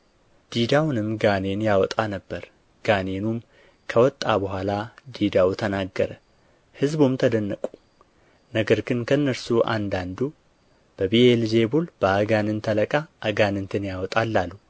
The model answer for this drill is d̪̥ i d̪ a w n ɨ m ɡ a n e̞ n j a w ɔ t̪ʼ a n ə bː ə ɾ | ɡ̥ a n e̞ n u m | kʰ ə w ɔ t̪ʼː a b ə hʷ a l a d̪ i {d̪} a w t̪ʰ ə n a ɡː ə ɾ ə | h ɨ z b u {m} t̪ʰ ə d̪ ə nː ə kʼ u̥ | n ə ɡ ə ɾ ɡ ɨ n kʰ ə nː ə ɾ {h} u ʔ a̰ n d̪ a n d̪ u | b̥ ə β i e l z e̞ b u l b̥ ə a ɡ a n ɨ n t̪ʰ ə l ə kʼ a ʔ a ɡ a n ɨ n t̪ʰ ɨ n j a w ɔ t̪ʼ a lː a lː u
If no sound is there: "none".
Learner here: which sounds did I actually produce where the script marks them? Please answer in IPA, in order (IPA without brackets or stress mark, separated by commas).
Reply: d̪, m, s